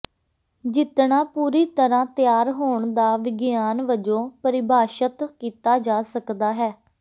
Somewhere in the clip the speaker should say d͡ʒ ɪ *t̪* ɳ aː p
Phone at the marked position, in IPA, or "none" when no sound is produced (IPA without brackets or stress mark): t̪